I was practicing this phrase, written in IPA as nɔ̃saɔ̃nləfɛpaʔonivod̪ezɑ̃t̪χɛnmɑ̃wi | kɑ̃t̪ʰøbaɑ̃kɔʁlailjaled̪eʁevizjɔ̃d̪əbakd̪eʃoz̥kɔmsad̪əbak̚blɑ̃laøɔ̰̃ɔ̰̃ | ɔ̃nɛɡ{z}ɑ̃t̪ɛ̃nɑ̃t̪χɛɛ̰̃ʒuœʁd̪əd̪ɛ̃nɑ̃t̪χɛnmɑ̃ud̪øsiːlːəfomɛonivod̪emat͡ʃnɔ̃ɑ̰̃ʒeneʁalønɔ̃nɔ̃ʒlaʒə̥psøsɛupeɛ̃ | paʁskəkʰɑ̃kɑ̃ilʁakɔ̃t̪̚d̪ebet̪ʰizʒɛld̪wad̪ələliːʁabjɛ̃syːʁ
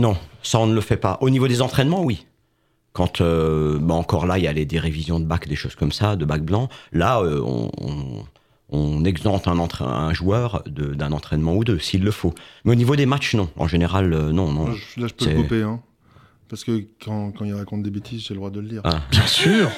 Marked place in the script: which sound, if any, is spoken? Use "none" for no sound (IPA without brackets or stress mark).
z